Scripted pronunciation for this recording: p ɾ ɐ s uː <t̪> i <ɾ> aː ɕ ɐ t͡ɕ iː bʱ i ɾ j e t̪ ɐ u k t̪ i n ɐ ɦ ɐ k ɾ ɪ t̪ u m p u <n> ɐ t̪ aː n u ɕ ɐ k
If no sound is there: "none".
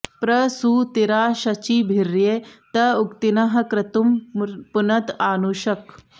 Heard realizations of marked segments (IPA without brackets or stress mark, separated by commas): t̪, ɾ, n